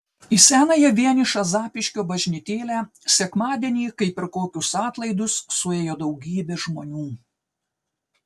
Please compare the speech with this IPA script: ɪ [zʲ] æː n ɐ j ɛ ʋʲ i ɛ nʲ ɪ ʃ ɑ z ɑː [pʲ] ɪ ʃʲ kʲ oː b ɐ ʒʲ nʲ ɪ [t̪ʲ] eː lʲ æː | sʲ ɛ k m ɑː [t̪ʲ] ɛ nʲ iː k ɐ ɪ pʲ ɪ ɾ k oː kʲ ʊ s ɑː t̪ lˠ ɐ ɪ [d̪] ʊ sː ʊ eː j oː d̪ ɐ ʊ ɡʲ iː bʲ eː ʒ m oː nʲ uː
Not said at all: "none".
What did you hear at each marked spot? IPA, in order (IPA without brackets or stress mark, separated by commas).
sʲ, pʲ, t̪ʲ, d̪ʲ, d̪